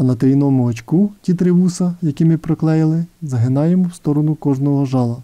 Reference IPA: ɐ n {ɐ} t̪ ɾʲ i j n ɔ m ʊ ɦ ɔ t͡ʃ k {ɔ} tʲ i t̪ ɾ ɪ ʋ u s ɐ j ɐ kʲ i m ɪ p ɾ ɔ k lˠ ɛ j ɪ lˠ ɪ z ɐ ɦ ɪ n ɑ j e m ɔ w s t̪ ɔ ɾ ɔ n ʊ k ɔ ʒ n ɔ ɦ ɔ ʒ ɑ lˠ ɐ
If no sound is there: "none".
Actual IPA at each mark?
ɐ, u

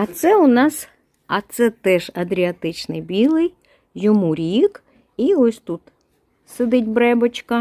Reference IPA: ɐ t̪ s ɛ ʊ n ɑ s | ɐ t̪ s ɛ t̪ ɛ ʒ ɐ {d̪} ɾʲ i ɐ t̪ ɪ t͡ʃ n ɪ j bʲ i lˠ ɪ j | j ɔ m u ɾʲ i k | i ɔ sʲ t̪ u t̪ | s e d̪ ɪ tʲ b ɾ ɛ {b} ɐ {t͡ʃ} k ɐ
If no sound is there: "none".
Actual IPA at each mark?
d̪, b, t͡ʃ

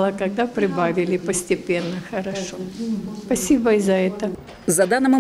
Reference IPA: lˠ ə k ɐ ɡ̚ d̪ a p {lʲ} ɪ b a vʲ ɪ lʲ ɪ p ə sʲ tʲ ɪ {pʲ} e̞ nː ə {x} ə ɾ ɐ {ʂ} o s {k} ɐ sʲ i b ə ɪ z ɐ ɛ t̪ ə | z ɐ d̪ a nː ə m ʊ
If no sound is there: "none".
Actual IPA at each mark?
ɾʲ, pʲ, x, ʂ, p

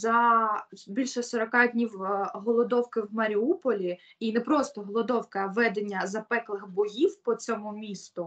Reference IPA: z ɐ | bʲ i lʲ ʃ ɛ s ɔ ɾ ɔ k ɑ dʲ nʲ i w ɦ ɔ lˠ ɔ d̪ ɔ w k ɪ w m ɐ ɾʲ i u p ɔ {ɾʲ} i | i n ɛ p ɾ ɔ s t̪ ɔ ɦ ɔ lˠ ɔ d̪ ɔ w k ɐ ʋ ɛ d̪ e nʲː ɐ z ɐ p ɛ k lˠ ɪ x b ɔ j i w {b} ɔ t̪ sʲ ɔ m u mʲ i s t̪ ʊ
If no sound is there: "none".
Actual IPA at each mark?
lʲ, p

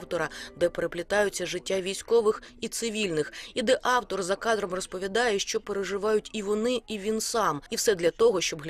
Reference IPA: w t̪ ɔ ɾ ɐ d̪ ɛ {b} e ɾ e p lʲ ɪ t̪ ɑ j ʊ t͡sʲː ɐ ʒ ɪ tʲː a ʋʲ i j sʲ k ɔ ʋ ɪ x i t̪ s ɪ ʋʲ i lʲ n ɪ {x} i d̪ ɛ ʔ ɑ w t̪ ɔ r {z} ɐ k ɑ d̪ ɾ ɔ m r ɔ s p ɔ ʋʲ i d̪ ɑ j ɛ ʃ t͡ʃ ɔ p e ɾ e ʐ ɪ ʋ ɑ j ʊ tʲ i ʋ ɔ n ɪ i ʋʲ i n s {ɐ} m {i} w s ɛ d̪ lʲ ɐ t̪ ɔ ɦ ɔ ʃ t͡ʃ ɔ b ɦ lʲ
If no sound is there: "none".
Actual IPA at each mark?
p, x, z, ɑ, i

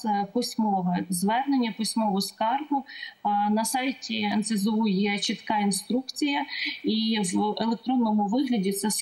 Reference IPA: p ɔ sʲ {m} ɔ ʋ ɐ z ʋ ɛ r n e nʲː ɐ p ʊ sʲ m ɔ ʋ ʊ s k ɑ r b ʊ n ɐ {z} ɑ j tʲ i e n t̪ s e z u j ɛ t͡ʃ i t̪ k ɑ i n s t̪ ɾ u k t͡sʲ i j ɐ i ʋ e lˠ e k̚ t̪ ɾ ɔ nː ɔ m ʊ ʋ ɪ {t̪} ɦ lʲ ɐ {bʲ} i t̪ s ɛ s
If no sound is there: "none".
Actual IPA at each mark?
m, s, none, dʲ

